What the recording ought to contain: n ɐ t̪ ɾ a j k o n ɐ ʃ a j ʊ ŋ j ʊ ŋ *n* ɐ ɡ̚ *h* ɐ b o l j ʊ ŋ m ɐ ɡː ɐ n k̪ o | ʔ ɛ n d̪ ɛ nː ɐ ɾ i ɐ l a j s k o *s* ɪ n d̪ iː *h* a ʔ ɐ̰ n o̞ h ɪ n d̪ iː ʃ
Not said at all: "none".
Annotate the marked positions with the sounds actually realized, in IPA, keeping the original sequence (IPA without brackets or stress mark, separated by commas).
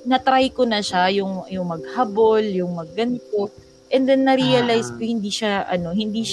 m, h, h, ʃ